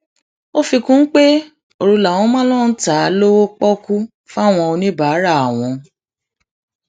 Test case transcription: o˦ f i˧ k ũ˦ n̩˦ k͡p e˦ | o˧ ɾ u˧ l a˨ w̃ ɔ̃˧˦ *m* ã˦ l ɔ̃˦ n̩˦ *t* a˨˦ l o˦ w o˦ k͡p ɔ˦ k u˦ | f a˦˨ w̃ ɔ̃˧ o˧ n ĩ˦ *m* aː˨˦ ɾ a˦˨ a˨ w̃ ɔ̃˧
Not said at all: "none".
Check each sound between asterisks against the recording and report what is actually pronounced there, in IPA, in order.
m, t, b

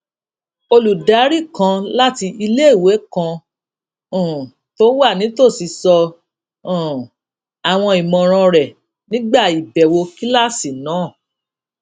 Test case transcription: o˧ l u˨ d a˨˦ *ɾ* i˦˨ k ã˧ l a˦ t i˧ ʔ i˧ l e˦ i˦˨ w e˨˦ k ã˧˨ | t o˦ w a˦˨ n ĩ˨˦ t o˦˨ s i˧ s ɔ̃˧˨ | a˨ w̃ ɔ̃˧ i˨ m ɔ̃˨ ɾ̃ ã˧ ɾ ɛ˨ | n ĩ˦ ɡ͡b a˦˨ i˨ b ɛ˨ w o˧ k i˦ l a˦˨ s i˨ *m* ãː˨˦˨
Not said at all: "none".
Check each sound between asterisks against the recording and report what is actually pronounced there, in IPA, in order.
ɾ, n

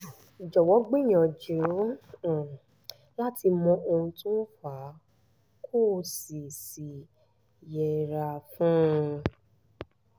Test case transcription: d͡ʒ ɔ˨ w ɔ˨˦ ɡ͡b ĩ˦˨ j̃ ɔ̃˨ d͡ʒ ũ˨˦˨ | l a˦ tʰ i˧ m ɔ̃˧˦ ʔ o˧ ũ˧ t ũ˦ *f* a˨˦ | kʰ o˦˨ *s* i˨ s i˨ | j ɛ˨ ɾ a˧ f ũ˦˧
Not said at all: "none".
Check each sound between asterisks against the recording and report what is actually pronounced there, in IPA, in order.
f, s

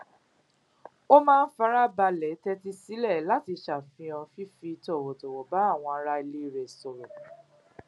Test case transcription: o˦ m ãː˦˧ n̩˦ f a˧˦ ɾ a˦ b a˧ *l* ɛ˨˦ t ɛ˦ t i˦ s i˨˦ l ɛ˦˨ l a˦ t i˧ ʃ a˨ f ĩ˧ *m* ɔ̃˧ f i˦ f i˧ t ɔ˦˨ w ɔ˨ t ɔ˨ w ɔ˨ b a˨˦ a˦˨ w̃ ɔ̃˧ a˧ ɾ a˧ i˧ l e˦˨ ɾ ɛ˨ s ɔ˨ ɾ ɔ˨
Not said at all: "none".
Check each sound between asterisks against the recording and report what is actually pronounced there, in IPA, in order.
l, none

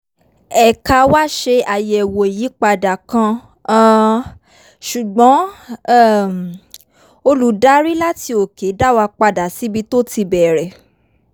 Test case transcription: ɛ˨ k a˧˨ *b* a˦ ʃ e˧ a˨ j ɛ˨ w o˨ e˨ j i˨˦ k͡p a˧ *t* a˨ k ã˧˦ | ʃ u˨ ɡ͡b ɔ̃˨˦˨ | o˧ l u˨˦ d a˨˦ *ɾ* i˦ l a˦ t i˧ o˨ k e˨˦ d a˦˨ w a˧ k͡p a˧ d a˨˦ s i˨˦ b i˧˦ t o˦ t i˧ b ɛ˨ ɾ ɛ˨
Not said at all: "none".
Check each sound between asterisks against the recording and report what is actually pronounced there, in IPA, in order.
w, d, ɾ

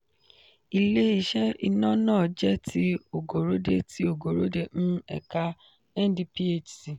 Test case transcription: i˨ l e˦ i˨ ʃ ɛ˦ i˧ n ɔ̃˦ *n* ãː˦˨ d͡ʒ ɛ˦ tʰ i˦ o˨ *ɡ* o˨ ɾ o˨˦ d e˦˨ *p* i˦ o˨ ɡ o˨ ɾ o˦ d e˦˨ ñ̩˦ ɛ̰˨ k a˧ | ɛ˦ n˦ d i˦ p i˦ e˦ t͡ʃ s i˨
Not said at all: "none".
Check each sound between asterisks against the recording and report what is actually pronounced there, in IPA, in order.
n, ɡ, t

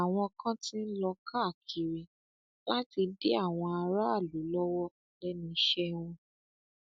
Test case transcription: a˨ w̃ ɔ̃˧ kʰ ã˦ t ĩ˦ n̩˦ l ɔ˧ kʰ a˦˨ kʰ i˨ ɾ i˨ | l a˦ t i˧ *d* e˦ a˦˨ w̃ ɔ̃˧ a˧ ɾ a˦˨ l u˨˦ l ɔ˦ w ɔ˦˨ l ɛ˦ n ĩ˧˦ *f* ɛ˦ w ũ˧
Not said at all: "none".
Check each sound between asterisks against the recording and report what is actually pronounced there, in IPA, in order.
d, ʃ

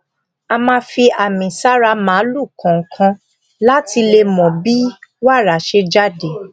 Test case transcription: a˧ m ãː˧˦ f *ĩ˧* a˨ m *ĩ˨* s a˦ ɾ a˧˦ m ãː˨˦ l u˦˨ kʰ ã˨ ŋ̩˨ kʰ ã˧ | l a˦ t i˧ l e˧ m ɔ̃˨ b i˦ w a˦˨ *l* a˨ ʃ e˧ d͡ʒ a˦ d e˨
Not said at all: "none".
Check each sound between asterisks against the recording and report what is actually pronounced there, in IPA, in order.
i˧, ĩ˨, ɾ

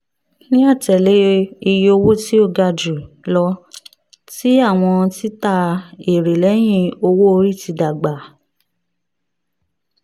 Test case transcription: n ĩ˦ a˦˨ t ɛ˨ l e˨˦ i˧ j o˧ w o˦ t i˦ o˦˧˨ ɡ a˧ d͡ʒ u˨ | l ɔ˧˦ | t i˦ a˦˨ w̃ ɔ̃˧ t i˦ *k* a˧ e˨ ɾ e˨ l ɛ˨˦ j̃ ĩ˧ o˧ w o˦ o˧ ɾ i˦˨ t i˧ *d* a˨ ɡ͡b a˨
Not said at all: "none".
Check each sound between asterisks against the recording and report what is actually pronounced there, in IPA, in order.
t, d

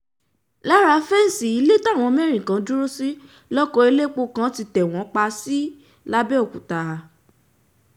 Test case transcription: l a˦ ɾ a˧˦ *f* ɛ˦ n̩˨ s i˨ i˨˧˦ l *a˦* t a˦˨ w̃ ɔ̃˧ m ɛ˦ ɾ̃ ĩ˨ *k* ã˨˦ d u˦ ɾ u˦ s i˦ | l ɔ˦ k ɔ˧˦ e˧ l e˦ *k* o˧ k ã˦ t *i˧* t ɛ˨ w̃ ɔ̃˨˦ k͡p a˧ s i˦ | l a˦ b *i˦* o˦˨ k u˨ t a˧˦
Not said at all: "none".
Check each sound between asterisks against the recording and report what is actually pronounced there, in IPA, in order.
f, e˦, k, k͡p, i˧, ɛ˦

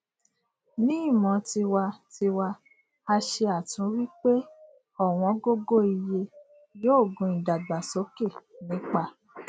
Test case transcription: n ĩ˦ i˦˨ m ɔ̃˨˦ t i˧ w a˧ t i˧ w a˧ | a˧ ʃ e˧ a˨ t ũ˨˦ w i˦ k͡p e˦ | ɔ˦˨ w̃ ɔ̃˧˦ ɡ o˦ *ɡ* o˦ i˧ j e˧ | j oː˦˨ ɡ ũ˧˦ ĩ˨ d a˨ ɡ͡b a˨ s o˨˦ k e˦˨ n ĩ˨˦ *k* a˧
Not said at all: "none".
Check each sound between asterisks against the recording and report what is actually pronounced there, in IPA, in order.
ɡ, k͡p

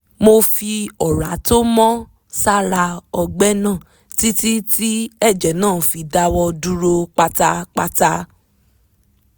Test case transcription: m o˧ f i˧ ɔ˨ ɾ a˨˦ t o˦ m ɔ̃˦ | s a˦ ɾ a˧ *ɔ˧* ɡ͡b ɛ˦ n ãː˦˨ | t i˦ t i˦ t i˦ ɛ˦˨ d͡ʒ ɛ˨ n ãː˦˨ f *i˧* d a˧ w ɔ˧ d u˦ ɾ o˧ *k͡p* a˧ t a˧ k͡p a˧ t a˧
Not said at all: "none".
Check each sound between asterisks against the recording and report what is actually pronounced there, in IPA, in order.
ɔ˧, i˧, k͡p

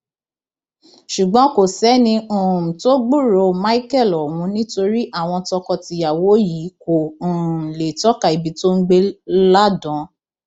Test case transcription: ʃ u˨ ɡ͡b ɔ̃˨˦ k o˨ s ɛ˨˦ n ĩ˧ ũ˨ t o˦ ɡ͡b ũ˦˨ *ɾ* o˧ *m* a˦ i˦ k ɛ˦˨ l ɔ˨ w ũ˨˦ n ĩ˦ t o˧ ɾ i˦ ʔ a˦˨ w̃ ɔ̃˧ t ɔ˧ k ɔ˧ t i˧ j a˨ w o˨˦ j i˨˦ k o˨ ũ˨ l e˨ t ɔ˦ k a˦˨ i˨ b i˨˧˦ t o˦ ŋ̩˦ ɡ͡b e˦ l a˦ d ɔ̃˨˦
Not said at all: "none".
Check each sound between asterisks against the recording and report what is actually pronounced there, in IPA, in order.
ɾ, m

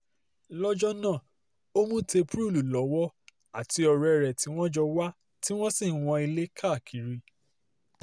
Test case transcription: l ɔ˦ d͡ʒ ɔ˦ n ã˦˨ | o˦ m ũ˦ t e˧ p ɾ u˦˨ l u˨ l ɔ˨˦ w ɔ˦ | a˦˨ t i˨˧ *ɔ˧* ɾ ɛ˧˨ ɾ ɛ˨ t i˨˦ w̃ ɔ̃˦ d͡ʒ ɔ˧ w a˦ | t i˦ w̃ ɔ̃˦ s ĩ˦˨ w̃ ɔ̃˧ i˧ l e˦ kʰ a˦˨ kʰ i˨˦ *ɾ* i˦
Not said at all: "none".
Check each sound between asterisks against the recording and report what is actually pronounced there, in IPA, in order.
ɔ˧, ɾ

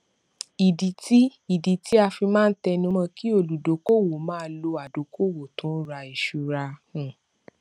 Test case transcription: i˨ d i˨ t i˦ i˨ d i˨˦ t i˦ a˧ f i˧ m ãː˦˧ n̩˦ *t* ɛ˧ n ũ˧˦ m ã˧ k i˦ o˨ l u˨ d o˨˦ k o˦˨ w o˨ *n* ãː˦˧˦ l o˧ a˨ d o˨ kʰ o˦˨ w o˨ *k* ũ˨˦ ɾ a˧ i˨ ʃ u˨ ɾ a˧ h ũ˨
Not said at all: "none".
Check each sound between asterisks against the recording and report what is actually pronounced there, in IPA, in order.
t, m, t

